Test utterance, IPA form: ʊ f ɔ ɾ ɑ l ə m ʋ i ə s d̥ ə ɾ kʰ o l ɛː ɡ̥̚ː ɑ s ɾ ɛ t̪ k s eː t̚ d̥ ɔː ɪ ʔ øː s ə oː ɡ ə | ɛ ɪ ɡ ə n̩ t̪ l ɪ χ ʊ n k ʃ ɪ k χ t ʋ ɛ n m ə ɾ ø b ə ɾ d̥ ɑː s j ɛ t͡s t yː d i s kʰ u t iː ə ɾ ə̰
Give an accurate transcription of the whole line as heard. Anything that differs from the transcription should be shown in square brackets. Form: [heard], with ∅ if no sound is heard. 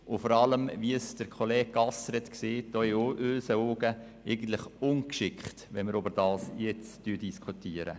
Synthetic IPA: ʊ f ɔ ɾ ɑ l ə m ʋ i ə s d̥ ə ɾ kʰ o l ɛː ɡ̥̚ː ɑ s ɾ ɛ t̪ k s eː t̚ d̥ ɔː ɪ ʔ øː s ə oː ɡ ə | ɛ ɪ ɡ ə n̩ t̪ l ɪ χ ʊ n k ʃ ɪ k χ t ʋ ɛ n m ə ɾ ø b ə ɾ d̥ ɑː s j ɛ t͡s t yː d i s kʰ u t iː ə ɾ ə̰

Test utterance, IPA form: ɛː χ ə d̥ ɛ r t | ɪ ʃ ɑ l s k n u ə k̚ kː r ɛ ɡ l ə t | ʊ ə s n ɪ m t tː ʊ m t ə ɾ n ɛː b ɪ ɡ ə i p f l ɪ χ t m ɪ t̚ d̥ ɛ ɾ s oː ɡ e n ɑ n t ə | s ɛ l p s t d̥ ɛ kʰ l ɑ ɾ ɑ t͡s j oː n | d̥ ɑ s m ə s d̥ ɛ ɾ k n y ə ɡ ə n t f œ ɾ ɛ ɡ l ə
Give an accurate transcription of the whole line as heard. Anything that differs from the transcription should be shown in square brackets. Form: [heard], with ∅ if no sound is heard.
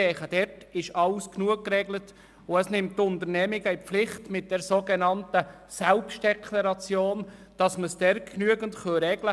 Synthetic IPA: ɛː χ ə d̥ ɛ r t | ɪ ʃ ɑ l s k n u ə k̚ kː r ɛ ɡ l ə t | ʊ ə s n ɪ m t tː ʊ [n] t ə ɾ n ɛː [m] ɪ ɡ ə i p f l ɪ χ t m ɪ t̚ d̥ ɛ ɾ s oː ɡ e n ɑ n t ə | s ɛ l p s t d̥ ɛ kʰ l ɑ ɾ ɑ t͡s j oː n | d̥ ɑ s m ə s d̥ ɛ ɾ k n y ə ɡ ə n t [χ] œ ɾ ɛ ɡ l ə

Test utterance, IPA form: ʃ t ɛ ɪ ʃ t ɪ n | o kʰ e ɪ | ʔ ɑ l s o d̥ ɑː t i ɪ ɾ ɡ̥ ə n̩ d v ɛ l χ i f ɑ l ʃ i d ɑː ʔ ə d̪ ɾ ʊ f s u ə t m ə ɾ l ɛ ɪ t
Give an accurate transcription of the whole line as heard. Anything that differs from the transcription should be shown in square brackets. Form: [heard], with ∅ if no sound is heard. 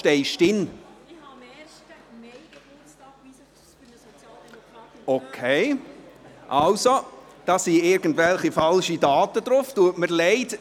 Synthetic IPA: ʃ t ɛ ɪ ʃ t ɪ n | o kʰ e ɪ | ʔ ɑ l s o d̥ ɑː [s] i ɪ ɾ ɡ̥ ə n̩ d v ɛ l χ i f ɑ l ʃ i d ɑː [t] ə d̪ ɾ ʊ f [t] u ə t m ə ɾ l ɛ ɪ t

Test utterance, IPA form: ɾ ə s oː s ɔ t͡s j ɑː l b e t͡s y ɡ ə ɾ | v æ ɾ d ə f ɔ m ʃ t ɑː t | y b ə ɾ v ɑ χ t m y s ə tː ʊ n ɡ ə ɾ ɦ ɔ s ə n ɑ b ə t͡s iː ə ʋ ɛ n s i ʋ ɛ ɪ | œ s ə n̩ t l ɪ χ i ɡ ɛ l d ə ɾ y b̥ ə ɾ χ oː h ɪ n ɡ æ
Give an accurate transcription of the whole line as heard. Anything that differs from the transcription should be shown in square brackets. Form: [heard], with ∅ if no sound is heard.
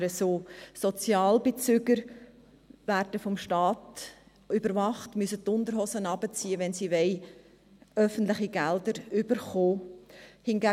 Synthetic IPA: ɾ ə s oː s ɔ t͡s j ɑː l b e t͡s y ɡ ə ɾ | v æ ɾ d ə f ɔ m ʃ t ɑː t | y b ə ɾ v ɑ χ t m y s ə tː ʊ n [d] ə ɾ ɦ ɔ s ə n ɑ b ə t͡s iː ə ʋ ɛ n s i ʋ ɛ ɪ | œ [f] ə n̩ t l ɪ χ i ɡ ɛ l d ə ɾ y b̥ ə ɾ χ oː h ɪ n ɡ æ

